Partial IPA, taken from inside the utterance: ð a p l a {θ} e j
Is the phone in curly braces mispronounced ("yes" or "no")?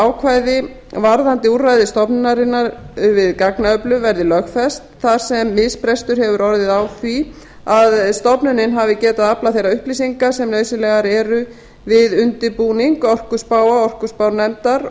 no